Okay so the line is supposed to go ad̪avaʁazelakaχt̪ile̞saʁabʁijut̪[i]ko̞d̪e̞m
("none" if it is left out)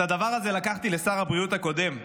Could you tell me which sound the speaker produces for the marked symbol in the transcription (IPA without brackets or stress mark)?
a